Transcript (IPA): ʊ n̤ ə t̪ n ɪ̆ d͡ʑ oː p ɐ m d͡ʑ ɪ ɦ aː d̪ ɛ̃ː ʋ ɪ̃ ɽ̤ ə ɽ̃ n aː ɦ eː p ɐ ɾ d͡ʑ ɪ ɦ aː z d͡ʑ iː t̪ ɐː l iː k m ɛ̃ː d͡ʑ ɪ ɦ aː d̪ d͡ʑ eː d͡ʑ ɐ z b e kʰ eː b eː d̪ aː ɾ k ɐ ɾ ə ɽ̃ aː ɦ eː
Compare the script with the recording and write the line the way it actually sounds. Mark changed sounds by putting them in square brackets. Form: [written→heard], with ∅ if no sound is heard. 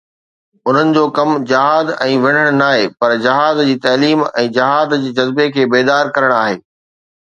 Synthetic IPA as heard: ʊ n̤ ə [t̪→∅] n ɪ̆ d͡ʑ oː [p→k] ɐ m d͡ʑ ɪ ɦ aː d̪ ɛ̃ː ʋ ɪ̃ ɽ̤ ə ɽ̃ n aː ɦ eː p ɐ ɾ d͡ʑ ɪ ɦ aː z d͡ʑ iː t̪ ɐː l iː [k→∅] m ɛ̃ː d͡ʑ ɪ ɦ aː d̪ d͡ʑ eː d͡ʑ ɐ z b e kʰ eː b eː d̪ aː ɾ k ɐ ɾ ə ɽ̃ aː ɦ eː

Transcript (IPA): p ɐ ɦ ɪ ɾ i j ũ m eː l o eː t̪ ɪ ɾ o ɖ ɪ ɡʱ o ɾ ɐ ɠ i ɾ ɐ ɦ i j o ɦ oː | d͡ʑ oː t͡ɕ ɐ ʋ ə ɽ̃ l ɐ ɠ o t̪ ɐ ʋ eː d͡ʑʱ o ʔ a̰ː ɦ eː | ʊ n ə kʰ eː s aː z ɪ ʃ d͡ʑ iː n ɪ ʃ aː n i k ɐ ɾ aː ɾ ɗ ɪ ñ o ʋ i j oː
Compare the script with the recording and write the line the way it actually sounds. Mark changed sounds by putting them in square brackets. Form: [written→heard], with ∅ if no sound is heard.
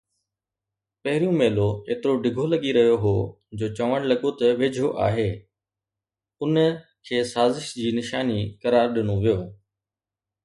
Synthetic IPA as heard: p ɐ ɦ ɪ ɾ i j ũ m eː l o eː t̪ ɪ ɾ o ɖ ɪ ɡʱ o [ɾ→l] ɐ ɠ i ɾ ɐ ɦ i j o ɦ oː | d͡ʑ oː t͡ɕ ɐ ʋ ə ɽ̃ l ɐ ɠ o t̪ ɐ ʋ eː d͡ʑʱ o ʔ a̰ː ɦ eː | ʊ n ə kʰ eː s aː z ɪ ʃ d͡ʑ iː n ɪ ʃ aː n i k ɐ ɾ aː ɾ ɗ ɪ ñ o ʋ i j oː

